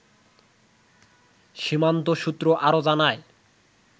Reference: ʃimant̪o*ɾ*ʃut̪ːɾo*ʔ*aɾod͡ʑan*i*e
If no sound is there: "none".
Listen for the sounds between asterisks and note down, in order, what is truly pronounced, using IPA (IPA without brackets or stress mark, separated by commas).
none, ʔ, a